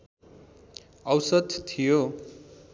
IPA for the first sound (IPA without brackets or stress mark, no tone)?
ʌ